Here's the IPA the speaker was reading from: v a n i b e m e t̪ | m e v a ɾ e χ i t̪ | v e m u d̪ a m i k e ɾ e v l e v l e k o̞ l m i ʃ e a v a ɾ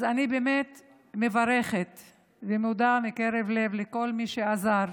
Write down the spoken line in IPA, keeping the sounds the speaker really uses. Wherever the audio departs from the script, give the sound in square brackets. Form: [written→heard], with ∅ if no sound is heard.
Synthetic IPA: [v→z] a n i b e m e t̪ | m e v a ɾ e χ [i→e] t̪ | v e m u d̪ a m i k e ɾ e v l e v l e k o̞ l m i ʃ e a [v→z] a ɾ